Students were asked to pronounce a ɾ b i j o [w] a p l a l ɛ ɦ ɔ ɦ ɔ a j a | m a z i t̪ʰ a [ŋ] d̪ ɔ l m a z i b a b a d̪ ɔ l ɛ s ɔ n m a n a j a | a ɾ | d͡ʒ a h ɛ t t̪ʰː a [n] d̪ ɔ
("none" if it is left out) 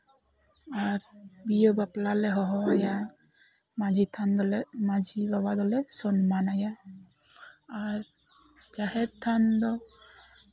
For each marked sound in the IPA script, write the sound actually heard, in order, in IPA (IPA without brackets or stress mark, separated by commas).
b, n, n